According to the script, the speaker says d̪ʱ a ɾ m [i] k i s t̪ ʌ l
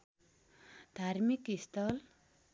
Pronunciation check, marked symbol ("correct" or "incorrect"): correct